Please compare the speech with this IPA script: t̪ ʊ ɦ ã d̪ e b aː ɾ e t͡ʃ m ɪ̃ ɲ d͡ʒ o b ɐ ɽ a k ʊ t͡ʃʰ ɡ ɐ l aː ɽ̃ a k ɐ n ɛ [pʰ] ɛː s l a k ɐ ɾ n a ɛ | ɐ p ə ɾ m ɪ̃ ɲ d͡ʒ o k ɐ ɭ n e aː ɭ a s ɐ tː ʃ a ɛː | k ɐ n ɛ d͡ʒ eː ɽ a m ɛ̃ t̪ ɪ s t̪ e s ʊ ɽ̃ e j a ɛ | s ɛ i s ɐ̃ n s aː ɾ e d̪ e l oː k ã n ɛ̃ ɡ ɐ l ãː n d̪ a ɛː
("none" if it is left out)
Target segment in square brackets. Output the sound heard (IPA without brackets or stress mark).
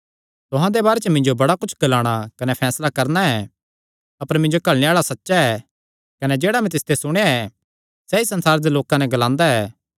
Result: pʰ